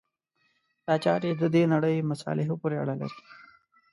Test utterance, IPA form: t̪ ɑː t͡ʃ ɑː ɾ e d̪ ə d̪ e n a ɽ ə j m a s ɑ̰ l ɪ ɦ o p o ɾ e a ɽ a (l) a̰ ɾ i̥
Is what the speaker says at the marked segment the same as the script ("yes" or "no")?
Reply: yes